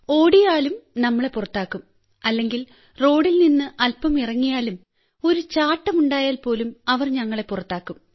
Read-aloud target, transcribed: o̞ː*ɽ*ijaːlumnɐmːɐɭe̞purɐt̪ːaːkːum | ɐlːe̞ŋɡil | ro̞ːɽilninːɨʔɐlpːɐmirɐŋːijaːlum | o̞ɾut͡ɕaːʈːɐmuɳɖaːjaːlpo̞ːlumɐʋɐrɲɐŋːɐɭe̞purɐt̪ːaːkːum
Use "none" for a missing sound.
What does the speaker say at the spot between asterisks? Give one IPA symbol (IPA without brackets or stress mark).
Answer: ɽ